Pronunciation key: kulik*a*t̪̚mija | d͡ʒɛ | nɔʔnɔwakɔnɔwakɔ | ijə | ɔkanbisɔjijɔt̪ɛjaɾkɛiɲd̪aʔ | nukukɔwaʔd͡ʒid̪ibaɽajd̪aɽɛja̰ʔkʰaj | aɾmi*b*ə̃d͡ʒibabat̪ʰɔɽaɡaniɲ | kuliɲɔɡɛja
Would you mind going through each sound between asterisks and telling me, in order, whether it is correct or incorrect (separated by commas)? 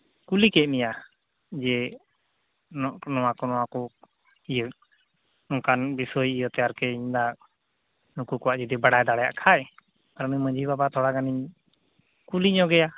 incorrect, incorrect